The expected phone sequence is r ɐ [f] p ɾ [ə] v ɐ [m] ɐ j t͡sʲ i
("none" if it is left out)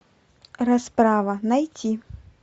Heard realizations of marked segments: s, a, n

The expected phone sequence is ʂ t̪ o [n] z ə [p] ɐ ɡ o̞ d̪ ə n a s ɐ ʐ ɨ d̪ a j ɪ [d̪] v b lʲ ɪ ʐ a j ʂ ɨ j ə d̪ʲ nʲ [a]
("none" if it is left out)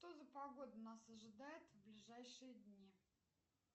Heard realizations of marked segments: none, p, t̪, i

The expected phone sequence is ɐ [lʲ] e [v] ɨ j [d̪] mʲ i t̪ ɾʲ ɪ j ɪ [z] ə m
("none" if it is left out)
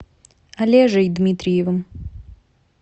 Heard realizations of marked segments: lʲ, ʐ, d̪, v

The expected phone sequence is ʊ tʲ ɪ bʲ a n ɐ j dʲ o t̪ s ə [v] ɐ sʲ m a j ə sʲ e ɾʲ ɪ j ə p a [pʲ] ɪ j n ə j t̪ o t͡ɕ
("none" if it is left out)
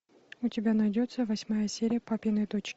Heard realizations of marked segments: v, pʲ

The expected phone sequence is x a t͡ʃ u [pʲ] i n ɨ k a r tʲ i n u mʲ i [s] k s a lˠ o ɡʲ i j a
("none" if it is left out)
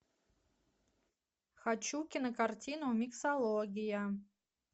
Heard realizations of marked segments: kʲ, none

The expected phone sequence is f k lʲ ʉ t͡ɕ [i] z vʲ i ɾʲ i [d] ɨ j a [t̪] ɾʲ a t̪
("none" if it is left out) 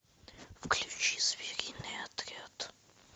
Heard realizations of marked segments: i, n, t̪

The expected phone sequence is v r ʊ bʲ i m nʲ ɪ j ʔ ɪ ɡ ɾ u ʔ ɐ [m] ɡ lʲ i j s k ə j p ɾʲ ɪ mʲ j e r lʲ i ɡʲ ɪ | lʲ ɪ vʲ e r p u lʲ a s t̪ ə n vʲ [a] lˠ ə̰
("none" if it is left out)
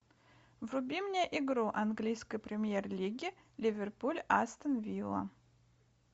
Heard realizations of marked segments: n, i

